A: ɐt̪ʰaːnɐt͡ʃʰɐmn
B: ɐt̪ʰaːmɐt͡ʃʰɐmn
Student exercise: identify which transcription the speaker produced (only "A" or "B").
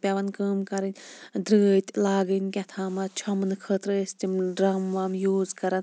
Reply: B